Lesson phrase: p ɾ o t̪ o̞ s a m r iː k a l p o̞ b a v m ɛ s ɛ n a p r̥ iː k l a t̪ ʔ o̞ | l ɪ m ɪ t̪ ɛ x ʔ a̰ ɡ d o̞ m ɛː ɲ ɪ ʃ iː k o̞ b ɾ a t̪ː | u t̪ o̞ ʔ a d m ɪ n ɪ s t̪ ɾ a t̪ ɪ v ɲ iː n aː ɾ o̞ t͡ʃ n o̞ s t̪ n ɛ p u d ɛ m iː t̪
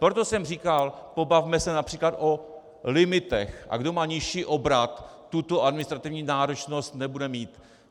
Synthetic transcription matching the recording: p ɾ o t̪ o̞ s ɛ m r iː k a l p o̞ b a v m ɛ s ɛ n a p r̥ iː k l a t̪ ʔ o̞ | l ɪ m ɪ t̪ ɛ x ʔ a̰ ɡ d o̞ m aː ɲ ɪ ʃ iː ʔ o̞ b ɾ a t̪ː | u t̪ o̞ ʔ a d m ɪ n ɪ s t̪ ɾ a t̪ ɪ v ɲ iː n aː ɾ o̞ t͡ʃ n o̞ s t̪ n ɛ b u d ɛ m iː t̪